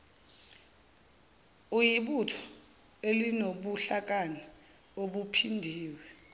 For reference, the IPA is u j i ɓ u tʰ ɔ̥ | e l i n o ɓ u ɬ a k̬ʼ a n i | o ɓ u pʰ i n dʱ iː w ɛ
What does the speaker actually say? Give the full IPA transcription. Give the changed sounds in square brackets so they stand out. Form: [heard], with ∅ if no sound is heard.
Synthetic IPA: u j i ɓ u tʰ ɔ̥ | e l i n o ɓ u ɬ a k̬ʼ a n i | o ɓ u pʰ i n dʱ iː w ɛ